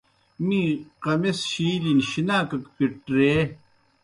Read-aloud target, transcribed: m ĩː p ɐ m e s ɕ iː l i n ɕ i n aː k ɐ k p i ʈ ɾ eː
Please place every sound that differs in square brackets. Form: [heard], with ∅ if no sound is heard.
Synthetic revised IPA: m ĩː [q] ɐ m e s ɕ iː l i n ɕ i n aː k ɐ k p i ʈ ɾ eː